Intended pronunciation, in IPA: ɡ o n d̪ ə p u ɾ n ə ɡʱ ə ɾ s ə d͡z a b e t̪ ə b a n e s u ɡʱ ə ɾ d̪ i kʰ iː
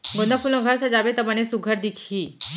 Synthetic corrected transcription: ɡ o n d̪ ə p u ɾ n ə ɡʱ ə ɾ s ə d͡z a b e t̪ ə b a n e s u ɡʱ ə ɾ d̪ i kʰ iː